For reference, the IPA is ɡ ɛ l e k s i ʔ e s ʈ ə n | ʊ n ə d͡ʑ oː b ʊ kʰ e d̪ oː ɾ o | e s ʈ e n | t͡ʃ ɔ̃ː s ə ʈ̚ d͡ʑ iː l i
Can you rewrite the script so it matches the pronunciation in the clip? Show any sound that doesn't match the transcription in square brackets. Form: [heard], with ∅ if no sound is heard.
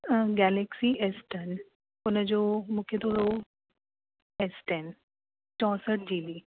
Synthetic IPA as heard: ɡ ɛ l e k s i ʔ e s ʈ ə n | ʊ n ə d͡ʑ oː [m] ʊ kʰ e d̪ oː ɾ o | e s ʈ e n | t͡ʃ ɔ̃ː s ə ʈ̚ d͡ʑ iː l i